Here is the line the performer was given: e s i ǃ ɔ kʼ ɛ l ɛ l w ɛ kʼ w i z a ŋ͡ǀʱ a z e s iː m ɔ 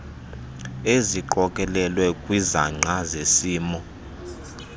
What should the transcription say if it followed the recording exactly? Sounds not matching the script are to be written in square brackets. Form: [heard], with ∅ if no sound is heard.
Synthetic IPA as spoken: e [z] i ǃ ɔ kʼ ɛ l ɛ l w ɛ kʼ w i z a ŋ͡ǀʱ a z e s iː m ɔ